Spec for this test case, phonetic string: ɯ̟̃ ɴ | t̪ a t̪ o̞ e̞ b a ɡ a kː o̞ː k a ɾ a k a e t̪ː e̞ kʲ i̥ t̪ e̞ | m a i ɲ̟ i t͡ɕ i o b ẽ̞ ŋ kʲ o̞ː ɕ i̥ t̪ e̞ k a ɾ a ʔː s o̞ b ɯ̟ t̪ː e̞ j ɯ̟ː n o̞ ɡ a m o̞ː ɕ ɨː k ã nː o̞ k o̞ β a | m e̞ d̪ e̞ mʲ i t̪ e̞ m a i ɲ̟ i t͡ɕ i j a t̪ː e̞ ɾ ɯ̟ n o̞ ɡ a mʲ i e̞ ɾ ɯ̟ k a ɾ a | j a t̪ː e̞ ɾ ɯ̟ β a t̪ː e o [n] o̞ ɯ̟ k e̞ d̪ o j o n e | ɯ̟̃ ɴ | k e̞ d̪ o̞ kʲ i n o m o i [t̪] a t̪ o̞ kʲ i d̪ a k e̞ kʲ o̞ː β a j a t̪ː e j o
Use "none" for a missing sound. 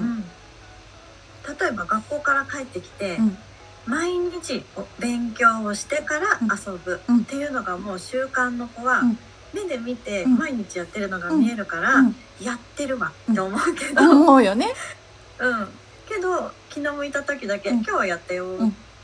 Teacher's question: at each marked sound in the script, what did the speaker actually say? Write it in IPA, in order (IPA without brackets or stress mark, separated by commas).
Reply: m, t̪